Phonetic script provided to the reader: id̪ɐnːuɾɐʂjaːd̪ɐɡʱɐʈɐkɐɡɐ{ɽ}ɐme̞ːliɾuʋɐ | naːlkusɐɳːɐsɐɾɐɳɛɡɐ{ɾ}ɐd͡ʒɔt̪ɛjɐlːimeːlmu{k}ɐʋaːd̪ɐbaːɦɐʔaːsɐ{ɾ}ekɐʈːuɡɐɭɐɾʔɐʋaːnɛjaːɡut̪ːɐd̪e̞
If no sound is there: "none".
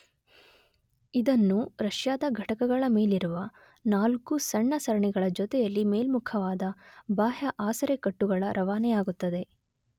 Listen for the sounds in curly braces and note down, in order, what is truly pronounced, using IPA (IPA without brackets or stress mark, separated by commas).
ɭ, ɭ, kʰ, ɾ